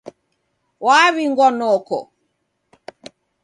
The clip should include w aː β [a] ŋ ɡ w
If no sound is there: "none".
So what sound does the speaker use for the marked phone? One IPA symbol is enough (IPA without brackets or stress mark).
i